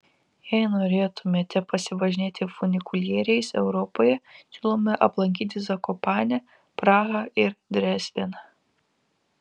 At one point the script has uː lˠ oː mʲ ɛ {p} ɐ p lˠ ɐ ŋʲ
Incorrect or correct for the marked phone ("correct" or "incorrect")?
incorrect